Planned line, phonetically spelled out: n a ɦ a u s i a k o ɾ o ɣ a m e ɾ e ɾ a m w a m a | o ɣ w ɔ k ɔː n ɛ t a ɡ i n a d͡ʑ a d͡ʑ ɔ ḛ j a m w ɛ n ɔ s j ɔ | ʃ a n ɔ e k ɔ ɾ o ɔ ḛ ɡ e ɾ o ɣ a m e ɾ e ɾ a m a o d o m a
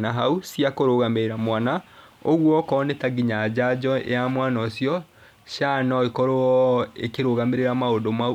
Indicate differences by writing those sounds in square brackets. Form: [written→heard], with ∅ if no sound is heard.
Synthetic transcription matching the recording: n a ɦ a u s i a k o ɾ o ɣ a m e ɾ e ɾ a m w a [m→n] a | o ɣ w ɔ k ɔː n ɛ t a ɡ i [n→ɲ] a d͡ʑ a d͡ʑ ɔ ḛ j a m w [ɛ→a] n ɔ s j ɔ | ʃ a n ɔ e k ɔ ɾ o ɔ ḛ [ɡ→k] e ɾ o ɣ a m e ɾ e ɾ a m a o d o m a